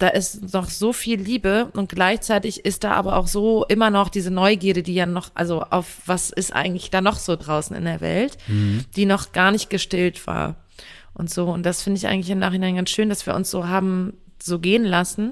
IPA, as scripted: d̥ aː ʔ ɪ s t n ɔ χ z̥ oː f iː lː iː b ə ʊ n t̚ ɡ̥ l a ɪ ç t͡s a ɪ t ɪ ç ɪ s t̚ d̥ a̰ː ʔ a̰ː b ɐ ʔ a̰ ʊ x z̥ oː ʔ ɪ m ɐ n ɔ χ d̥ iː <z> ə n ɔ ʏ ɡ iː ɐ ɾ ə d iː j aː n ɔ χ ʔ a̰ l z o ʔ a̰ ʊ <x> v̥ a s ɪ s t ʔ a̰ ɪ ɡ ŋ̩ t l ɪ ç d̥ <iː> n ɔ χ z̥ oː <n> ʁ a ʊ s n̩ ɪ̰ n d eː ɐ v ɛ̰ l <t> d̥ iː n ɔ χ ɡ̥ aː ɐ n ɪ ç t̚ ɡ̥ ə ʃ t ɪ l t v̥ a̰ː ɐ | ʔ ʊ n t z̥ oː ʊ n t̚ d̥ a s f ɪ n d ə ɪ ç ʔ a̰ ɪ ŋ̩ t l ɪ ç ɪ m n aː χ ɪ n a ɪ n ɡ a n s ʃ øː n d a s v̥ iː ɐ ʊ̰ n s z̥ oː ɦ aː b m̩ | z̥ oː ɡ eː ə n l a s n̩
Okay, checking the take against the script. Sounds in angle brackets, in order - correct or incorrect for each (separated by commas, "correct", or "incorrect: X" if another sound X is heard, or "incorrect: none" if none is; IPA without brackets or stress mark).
correct, incorrect: f, incorrect: aː, incorrect: d, correct